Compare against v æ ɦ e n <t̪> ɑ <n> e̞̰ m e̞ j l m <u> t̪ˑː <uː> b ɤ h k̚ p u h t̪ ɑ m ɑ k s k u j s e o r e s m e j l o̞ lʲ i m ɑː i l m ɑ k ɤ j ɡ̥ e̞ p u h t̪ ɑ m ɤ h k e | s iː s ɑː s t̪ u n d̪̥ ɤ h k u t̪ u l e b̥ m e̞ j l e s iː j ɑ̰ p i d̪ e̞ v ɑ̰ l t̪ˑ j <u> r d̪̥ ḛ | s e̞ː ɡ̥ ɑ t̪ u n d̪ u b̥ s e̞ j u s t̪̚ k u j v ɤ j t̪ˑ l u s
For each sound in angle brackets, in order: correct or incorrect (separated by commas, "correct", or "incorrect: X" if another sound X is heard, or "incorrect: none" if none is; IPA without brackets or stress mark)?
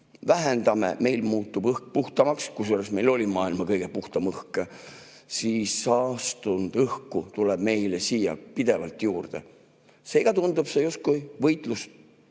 incorrect: d̪, incorrect: m, incorrect: uː, incorrect: u, incorrect: uː